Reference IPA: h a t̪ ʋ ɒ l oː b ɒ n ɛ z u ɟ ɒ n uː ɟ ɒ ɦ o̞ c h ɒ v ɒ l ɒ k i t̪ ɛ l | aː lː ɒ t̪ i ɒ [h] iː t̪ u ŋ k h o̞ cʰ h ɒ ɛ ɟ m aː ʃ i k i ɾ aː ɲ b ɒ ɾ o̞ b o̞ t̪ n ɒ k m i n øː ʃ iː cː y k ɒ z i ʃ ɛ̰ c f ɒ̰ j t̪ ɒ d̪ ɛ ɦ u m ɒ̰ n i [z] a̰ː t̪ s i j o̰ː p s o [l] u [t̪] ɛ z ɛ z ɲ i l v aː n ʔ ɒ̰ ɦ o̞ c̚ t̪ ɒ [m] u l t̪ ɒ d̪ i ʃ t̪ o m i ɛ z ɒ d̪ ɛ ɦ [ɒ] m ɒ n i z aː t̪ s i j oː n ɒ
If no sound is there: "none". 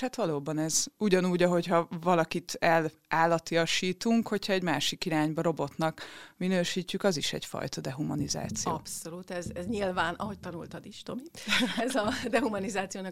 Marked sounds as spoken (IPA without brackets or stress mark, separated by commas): ʃ, z, l, t̪, n, u